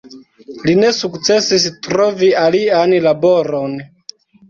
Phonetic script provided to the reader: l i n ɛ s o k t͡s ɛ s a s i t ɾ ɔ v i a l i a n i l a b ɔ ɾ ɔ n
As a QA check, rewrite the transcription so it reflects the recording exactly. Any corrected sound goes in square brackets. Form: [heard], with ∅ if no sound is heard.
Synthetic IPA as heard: l i n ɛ s [u] k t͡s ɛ s [i] s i t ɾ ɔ v i a l i a n i l a b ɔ ɾ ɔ n